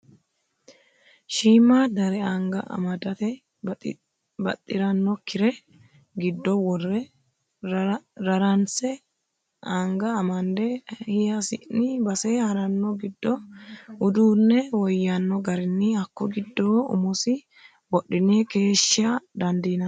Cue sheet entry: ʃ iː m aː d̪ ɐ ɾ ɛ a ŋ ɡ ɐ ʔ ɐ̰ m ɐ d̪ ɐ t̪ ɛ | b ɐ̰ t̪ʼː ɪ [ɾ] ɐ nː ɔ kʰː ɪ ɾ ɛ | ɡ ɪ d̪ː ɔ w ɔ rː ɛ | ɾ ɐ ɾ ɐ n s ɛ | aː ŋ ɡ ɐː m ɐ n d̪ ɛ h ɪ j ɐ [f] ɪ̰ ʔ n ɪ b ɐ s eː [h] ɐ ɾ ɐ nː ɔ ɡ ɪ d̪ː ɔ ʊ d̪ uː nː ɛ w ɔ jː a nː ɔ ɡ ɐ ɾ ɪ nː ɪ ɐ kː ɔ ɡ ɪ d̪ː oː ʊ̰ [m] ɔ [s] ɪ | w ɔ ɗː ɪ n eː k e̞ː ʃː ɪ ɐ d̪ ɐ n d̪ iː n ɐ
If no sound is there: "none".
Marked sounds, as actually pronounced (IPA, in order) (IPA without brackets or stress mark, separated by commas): ɾ, s, h, m, s